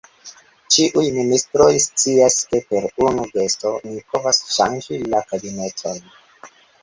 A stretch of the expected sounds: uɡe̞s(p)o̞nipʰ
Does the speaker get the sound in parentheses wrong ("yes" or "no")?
yes